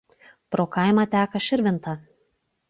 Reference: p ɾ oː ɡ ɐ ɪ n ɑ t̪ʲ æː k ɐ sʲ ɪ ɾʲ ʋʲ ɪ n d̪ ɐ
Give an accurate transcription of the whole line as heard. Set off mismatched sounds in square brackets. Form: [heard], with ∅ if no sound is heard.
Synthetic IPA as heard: p ɾ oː [k] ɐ ɪ [m] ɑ t̪ʲ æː k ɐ [ʃʲ] ɪ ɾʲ ʋʲ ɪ n [t̪] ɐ